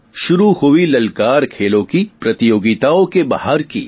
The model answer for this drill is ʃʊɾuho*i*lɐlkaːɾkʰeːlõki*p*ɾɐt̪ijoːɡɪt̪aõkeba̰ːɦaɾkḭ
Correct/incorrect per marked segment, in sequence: correct, correct

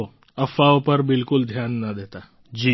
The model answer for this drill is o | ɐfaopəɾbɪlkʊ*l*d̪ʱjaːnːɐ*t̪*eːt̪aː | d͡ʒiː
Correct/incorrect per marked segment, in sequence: correct, incorrect: d̪

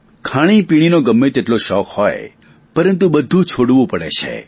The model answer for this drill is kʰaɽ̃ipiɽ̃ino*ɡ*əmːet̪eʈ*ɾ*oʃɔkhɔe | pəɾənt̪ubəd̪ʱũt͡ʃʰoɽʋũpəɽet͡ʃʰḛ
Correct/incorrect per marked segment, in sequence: correct, incorrect: l

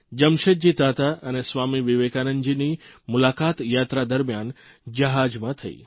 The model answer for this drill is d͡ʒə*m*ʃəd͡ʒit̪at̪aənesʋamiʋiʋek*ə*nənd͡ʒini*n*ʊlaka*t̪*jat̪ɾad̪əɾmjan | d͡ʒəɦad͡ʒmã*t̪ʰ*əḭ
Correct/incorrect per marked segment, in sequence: correct, incorrect: a, incorrect: m, correct, correct

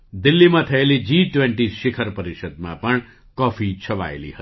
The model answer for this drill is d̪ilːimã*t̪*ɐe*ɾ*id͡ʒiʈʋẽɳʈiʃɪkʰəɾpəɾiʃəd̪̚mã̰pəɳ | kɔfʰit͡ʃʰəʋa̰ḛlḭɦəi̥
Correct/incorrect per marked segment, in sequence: incorrect: t̪ʰ, incorrect: l

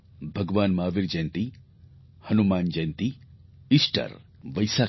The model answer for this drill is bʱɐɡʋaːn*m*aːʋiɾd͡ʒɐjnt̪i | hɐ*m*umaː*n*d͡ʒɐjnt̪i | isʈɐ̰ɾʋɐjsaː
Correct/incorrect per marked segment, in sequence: correct, incorrect: n, correct

